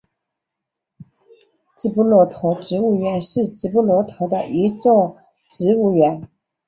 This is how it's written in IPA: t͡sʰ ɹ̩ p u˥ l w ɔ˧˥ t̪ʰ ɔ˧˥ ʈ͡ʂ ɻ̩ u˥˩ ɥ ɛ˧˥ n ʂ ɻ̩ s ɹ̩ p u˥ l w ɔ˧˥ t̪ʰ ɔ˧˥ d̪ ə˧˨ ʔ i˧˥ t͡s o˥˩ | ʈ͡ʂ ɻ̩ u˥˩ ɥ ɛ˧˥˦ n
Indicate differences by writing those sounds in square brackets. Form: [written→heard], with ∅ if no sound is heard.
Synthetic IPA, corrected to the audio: [t͡sʰ→t͡s] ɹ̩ p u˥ l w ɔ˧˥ t̪ʰ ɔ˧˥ ʈ͡ʂ ɻ̩ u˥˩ ɥ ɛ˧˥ n ʂ ɻ̩ [s→t͡s] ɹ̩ p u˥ l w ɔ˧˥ t̪ʰ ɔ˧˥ d̪ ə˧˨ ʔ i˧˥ t͡s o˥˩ | ʈ͡ʂ ɻ̩ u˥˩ ɥ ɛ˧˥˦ n